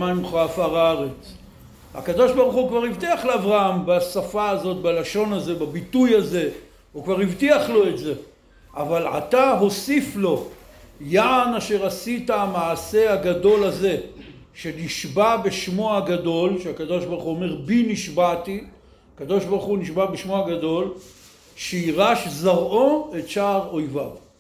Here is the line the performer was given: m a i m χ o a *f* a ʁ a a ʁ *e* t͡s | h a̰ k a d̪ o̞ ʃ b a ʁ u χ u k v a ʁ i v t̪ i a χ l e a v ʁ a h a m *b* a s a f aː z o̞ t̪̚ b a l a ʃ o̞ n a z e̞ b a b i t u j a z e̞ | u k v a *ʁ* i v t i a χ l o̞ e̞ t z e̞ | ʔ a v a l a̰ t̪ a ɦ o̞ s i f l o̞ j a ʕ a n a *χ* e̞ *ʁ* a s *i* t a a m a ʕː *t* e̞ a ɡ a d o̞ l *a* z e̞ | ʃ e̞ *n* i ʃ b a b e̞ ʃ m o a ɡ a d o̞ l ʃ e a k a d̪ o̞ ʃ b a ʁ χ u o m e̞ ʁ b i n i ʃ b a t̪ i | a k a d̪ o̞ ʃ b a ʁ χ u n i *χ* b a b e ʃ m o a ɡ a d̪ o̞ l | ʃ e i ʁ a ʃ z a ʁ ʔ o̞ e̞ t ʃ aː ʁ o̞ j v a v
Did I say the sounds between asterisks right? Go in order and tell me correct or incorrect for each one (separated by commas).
correct, correct, correct, correct, incorrect, correct, correct, incorrect, correct, correct, incorrect